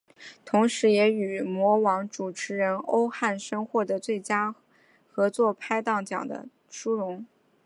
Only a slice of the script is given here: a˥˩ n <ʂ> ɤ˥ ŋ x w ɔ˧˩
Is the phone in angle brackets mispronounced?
no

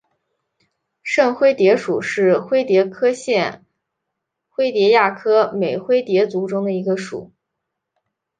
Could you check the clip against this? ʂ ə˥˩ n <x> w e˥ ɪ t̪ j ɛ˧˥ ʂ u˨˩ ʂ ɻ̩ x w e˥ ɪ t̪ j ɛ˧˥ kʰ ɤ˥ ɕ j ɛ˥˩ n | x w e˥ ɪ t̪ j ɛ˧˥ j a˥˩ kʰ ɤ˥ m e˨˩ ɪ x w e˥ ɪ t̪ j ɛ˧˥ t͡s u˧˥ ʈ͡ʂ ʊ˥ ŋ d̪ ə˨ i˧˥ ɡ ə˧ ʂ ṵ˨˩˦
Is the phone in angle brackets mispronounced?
no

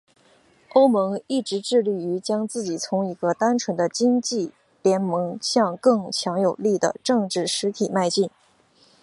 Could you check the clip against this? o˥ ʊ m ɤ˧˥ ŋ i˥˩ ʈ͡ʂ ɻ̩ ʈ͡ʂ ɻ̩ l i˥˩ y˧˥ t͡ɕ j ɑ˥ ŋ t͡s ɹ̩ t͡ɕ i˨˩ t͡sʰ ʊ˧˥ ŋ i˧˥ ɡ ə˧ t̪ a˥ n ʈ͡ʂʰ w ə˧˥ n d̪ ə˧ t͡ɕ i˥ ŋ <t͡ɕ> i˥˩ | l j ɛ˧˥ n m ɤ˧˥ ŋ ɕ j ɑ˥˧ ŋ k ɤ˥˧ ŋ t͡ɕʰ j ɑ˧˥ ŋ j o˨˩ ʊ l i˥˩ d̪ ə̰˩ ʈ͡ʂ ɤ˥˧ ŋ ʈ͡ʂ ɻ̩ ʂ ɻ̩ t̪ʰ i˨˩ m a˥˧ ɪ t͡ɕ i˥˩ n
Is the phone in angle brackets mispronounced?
no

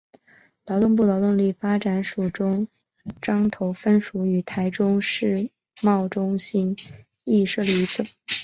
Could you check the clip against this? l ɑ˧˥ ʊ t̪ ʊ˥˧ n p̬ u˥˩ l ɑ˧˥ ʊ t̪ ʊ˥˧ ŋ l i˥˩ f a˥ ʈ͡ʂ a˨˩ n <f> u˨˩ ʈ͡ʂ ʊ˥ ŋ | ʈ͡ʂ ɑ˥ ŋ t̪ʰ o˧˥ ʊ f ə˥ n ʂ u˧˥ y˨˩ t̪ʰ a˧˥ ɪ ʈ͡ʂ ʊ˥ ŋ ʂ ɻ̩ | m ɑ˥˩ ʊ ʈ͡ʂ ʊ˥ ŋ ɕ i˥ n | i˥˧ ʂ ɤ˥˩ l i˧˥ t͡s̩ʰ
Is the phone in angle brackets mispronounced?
yes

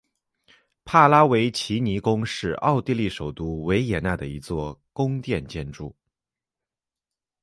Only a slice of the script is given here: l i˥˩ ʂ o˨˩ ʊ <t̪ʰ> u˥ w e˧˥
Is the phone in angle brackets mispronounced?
yes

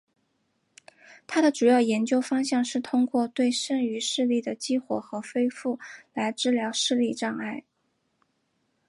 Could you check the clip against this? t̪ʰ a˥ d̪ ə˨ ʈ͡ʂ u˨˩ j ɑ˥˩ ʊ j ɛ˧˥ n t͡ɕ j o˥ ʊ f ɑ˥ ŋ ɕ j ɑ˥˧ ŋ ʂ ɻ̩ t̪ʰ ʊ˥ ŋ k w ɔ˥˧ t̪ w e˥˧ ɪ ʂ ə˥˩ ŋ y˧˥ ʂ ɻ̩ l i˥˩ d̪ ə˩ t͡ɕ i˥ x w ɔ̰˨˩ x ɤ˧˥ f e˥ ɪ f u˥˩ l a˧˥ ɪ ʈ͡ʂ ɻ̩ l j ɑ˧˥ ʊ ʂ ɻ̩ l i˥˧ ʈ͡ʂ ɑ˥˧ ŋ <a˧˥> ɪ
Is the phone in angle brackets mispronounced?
yes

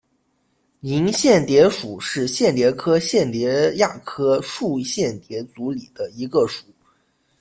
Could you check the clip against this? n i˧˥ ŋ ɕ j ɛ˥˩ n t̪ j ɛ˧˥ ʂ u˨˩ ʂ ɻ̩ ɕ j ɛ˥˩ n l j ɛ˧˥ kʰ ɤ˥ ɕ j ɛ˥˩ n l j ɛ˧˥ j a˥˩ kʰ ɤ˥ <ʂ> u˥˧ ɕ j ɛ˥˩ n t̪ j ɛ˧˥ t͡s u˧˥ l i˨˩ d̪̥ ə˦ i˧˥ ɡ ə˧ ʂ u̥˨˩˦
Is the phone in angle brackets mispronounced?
no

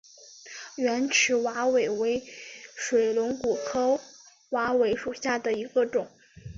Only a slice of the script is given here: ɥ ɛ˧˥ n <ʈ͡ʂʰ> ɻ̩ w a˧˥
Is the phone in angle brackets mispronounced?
no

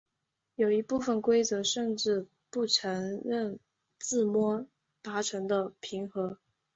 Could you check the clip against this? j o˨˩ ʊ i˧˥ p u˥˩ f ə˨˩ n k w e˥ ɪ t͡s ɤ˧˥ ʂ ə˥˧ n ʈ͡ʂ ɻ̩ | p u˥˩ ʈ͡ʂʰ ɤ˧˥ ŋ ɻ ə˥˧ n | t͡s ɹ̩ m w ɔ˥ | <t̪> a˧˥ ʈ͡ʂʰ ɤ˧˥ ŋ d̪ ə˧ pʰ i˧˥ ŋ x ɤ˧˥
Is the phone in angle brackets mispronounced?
no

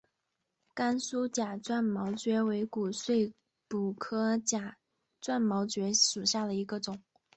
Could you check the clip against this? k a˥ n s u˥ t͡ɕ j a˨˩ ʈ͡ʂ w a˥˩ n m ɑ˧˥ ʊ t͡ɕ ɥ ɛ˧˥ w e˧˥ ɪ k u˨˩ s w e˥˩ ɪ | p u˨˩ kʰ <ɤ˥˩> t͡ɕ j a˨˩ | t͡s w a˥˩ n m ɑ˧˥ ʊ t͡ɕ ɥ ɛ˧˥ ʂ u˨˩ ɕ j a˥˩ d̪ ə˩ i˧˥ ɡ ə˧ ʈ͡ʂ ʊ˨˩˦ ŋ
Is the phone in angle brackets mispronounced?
yes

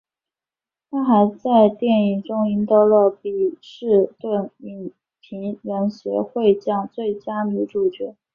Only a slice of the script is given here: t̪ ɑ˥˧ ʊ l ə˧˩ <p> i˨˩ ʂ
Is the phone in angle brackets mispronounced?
no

